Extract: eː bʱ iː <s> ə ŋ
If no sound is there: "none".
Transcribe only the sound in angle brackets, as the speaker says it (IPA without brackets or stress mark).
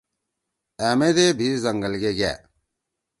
z